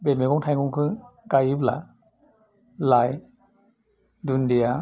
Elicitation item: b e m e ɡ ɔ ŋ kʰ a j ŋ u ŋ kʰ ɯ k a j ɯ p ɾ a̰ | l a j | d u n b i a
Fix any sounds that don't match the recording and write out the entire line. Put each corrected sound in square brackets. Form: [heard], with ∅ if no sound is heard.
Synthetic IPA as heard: b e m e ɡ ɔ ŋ [tʰ] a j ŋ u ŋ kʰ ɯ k a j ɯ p [l] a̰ | l a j | d u n [d] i a